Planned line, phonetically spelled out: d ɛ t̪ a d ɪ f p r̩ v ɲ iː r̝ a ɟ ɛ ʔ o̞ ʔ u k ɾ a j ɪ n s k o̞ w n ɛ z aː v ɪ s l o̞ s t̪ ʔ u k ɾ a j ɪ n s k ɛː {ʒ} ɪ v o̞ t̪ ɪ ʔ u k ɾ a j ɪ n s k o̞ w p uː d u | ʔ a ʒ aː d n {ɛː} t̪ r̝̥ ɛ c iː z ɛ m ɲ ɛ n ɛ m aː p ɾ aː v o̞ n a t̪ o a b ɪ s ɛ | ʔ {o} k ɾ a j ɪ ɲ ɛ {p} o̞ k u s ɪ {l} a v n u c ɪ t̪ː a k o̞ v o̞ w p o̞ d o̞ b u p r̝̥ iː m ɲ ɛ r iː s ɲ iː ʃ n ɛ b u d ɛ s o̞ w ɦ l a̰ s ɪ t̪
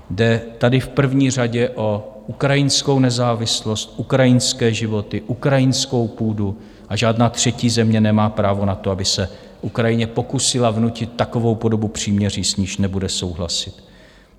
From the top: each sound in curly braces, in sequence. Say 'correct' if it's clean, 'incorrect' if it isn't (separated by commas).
correct, incorrect, incorrect, correct, correct